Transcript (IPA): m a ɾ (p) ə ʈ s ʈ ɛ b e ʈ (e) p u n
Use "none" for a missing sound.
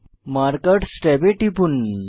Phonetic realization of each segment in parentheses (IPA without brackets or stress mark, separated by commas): k, i